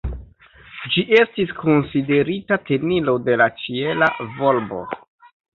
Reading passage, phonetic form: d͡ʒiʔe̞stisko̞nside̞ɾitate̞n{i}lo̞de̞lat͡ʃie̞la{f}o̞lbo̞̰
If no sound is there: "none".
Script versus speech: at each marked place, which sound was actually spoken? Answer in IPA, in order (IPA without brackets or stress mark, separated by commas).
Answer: i, v